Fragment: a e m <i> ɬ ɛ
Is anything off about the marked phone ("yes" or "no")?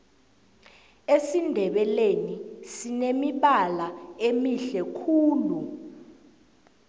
no